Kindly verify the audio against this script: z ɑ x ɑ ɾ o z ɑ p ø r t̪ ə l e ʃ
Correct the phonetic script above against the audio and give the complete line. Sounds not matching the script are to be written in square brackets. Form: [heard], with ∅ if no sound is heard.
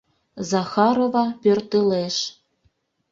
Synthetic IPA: z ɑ x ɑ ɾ o [v] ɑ p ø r t̪ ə l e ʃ